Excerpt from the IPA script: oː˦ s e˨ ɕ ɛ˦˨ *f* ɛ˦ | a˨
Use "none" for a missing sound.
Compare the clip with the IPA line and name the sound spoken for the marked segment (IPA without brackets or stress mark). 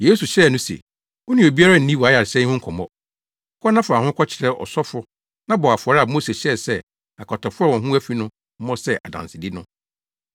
s